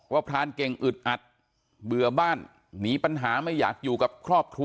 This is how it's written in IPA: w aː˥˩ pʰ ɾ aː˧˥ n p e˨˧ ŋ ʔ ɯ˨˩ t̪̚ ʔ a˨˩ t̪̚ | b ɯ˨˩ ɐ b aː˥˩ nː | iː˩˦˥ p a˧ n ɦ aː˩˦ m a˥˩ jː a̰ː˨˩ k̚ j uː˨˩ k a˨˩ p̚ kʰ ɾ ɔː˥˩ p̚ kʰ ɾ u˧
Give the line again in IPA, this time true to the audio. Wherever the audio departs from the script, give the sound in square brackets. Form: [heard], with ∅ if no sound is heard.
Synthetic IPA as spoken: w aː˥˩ pʰ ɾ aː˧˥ n [k] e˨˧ ŋ ʔ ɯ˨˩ t̪̚ ʔ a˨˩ t̪̚ | b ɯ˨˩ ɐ b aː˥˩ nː | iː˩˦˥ p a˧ n ɦ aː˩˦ m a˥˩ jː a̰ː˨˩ k̚ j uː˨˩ k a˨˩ p̚ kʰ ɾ ɔː˥˩ p̚ kʰ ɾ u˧